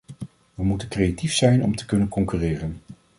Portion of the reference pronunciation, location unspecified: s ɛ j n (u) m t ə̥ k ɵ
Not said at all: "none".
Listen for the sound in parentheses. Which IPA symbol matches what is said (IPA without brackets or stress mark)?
ɔ